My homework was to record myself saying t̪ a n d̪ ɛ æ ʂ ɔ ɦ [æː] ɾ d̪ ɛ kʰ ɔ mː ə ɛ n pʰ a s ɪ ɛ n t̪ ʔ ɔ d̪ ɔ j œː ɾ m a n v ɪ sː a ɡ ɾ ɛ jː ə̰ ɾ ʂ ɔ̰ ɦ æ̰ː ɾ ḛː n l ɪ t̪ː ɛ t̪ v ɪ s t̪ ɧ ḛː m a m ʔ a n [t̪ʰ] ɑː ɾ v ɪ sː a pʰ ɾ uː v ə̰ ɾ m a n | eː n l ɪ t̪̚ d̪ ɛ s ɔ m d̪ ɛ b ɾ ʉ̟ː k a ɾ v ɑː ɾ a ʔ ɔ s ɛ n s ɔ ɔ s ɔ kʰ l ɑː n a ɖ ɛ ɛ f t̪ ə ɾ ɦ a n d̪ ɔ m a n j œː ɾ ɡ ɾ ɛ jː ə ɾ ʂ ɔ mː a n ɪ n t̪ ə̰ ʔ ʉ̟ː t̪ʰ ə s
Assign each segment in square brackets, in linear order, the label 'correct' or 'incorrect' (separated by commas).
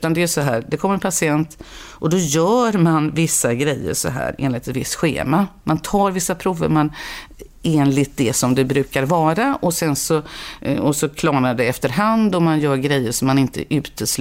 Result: correct, correct